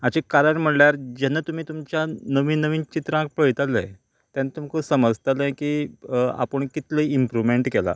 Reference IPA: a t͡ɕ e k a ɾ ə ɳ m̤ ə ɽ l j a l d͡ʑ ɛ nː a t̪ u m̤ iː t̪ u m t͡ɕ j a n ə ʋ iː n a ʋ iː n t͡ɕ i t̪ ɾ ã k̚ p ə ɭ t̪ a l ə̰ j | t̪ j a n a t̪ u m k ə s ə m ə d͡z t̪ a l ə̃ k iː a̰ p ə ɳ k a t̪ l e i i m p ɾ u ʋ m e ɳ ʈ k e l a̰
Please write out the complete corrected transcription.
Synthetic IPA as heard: a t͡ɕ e k a ɾ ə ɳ m̤ ə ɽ l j a ɾ d͡ʑ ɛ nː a t̪ u m̤ iː t̪ u m t͡ɕ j a n ə ʋ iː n ə ʋ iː n t͡ɕ i t̪ ɾ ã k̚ p ə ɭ t̪ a l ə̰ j | t̪ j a n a t̪ u m k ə s ə m ə d͡z t̪ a l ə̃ k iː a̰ p ə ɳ k i t̪ l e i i m p ɾ u ʋ m e ɳ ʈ k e l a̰

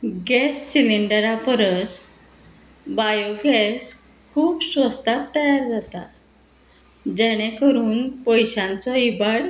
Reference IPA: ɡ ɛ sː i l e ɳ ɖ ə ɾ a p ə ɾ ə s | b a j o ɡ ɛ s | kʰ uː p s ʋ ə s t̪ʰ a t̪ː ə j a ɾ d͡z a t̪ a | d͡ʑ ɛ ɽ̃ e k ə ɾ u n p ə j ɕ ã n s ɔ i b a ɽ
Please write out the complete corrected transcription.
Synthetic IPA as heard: ɡ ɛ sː i l i ɳ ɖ ə ɾ a p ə ɾ ə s | b a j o ɡ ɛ s | kʰ uː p s ʋ ə s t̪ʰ a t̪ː ə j a ɾ d͡z a t̪ a | d͡ʑ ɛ ɽ̃ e k ə ɾ uː n p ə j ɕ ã n t͡s ɔ i b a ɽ

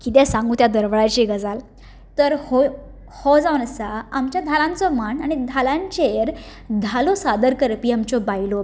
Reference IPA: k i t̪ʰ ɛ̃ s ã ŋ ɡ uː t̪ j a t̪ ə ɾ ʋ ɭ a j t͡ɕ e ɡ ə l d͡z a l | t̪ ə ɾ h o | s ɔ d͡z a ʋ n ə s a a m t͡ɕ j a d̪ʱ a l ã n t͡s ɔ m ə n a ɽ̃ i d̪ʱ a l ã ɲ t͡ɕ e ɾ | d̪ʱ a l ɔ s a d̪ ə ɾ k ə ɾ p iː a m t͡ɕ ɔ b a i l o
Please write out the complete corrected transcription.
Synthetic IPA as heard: k i t̪ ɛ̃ s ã ŋ ɡ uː t̪ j a d̪ ə ɾ ʋ ɭ a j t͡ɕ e ɡ ə d͡z a l | t̪ ə ɾ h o | h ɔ d͡z a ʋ n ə s a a m t͡ɕ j a d̪ʱ a l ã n t͡s ɔ m a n a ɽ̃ i d̪ʱ a l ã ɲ t͡ɕ e ɾ | d̪ʱ a l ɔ s a d̪ ə ɾ k ə ɾ p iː a m t͡ɕ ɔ b a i l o

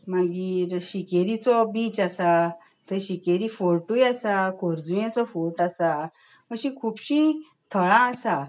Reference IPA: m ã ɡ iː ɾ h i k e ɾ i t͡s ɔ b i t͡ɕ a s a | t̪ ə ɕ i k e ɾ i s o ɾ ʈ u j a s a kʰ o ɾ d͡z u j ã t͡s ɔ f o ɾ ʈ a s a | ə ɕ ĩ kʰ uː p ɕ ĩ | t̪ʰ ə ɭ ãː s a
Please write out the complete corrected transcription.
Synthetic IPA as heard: m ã ɡ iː ɾ ɕ i k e ɾ i t͡s ɔ b i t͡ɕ a s a | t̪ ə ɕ i k e ɾ i f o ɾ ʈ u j a s a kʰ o ɾ d͡z u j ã t͡s ɔ f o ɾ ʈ a s a | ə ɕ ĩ kʰ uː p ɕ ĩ | t̪ʰ ə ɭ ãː s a

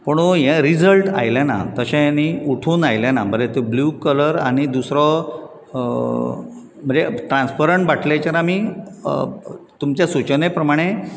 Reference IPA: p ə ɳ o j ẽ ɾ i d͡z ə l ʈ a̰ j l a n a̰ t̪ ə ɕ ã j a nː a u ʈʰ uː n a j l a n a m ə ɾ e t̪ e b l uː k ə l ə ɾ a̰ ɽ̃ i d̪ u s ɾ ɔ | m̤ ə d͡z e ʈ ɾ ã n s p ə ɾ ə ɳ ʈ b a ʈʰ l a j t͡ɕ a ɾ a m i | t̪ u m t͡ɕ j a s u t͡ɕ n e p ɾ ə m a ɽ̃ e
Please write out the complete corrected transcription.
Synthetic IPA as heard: p ə ɳ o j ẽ ɾ i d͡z ə l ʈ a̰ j l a n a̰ t̪ ə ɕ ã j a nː i u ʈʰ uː n a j l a n a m ə ɾ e t̪ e b l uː k ə l ə ɾ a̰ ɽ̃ i d̪ u s ɾ ɔ | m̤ ə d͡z e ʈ ɾ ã n s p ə ɾ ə ɳ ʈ b a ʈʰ l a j t͡ɕ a ɾ a m i | t̪ u m t͡ɕ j a s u t͡ɕ n e p ɾ ə m a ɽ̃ e

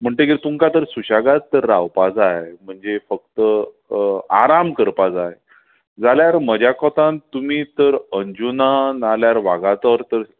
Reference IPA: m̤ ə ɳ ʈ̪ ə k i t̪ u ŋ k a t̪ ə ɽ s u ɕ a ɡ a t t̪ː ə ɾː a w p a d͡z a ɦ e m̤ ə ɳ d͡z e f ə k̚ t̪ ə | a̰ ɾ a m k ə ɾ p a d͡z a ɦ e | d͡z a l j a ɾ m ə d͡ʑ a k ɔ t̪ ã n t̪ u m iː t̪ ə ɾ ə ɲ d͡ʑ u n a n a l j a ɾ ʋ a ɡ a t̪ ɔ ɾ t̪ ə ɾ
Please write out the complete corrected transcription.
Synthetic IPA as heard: m̤ ə ɳ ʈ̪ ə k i t̪ u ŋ k a t̪ ə ɾ s u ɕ a ɡ a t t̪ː ə ɾː a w p a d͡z a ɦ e m̤ ə ɳ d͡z e f ə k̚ t̪ ə | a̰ ɾ a m k ə ɾ p a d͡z a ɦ e | d͡z a l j a ɾ m ə d͡ʑ a k ɔ t̪ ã n t̪ u m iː t̪ ə ɾ ə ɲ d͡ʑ u n a n a l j a ɾ ʋ a ɡ a t̪ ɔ ɾ t̪ ə ɾ

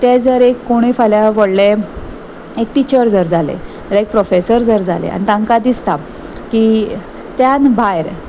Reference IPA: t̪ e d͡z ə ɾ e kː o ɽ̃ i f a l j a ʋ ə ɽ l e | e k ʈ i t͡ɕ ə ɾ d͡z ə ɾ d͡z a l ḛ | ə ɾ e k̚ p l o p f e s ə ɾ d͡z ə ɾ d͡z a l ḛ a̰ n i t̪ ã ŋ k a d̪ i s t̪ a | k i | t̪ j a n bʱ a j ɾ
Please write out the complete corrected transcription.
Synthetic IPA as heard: t̪ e d͡z ə ɾ e kː o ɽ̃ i f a l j a ʋ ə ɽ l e | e k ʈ i t͡ɕ ə ɾ d͡z ə ɾ d͡z a l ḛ | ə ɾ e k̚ p ɾ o f e s ə ɾ d͡z ə ɾ d͡z a l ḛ a̰ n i t̪ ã ŋ k a d̪ i s t̪ a | k i | t̪ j a n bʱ a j ɾ

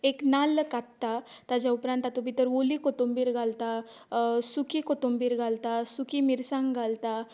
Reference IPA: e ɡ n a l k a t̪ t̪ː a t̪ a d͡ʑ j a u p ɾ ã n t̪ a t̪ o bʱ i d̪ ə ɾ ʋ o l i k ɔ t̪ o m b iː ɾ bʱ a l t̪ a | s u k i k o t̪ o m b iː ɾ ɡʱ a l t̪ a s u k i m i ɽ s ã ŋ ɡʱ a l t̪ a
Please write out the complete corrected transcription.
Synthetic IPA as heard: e k n a l k a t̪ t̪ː a t̪ a d͡ʑ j a u p ɾ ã n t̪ a t̪ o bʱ i t̪ ə ɾ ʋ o l i k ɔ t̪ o m b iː ɾ ɡʱ a l t̪ a | s u k i k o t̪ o m b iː ɾ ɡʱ a l t̪ a s u k i m i ɾ s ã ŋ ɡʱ a l t̪ a

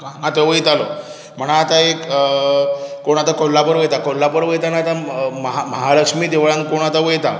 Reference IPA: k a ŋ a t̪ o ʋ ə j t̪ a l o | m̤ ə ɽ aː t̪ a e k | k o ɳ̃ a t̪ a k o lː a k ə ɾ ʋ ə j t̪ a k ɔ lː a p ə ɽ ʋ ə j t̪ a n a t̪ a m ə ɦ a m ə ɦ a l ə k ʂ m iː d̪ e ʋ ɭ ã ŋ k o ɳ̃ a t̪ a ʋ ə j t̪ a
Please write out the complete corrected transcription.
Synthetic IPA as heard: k a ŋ a t̪ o ʋ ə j t̪ a l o | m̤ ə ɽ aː t̪ a e k | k o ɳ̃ a t̪ a k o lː a p ə ɾ ʋ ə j t̪ a k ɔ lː a p ə ɾ ʋ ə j t̪ a n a t̪ a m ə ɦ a m ə ɦ a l ə k ʂ m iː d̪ e ʋ ɭ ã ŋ k o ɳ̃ a t̪ a ʋ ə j t̪ a

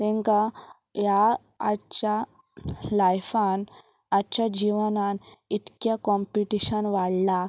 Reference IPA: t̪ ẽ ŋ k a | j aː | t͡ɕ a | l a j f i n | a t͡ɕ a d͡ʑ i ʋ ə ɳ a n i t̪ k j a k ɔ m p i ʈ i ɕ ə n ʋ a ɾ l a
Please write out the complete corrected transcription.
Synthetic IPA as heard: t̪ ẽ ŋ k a | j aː | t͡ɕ a | l a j f a n | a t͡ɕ a d͡ʑ i ʋ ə n a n i t̪ k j a k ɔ m p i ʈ i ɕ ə n ʋ a ɽ l a

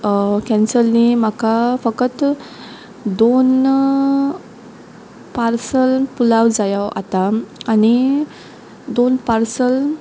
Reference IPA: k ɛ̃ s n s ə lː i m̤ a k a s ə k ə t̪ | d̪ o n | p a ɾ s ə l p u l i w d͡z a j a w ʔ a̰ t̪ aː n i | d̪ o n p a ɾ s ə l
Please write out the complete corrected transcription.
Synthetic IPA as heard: k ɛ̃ n s ə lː i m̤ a k a f ə k ə t̪ | d̪ o n | p a ɾ s ə l p u l a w d͡z a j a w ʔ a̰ t̪ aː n i | d̪ o n p a ɾ s ə l

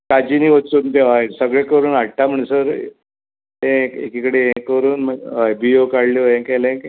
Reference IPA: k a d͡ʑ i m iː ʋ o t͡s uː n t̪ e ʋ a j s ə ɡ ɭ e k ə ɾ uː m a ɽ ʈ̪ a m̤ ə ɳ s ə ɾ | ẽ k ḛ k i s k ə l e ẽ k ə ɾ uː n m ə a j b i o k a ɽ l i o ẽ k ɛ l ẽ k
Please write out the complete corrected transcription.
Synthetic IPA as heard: k a d͡ʑ i n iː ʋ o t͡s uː n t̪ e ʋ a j s ə ɡ ɭ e k ə ɾ uː n a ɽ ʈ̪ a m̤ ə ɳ s ə ɾ | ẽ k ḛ k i k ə ɽ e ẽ k ə ɾ uː n m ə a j b i o k a ɽ l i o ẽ k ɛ l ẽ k

